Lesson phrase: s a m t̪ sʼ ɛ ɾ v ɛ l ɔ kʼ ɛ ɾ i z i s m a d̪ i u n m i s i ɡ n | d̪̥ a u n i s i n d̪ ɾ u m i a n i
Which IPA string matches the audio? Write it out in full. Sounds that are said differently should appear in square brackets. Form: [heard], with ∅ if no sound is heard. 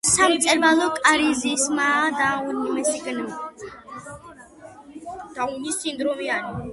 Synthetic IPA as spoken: s a m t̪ sʼ ɛ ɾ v [a] l ɔ kʼ [a] ɾ i z i s m a d̪ [a] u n m [ɛ] s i ɡ n | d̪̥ a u n i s i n d̪ ɾ [ɔ] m i a n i